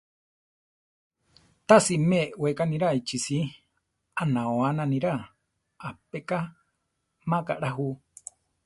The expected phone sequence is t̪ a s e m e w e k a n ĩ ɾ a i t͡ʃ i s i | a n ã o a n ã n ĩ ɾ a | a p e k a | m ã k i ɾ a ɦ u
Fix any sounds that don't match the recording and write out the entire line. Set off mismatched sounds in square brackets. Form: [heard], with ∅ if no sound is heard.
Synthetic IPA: t̪ a s [i] m e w e k a n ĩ ɾ a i t͡ʃ i s i | a n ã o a n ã n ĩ ɾ a | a p e k a | m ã k [a] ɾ a ɦ u